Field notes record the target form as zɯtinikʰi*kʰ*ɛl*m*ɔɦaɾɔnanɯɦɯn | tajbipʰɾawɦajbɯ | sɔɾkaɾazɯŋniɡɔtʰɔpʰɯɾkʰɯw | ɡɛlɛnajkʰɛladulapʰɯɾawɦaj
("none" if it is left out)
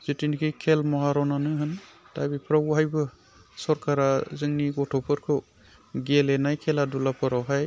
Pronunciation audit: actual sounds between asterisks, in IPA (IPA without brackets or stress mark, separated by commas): kʰ, m